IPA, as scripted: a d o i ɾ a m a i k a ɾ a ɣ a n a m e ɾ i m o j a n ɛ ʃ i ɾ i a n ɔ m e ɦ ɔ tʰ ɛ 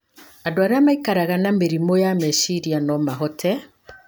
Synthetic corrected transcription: a d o a ɾ a m a i k a ɾ a ɣ a n a m e ɾ i m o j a m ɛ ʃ i ɾ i a n ɔ m a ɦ ɔ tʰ ɛ